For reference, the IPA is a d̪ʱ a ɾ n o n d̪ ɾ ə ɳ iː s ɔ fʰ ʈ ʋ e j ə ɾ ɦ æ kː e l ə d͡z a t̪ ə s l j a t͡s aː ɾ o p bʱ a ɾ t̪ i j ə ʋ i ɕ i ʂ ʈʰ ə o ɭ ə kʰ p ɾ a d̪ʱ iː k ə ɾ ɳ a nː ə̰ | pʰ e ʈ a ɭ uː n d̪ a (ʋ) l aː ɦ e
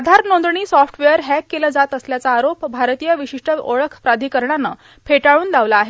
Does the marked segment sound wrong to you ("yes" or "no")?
no